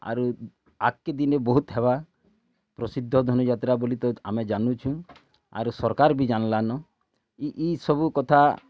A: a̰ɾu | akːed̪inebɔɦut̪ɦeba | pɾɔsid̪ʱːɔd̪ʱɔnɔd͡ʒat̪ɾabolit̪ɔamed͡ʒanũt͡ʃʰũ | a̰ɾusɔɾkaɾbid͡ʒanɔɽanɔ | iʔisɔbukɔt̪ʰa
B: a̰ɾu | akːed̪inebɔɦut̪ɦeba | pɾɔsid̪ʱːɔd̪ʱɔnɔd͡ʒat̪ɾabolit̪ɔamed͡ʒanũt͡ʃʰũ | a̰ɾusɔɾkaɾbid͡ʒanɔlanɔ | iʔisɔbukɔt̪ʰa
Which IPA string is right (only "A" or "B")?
B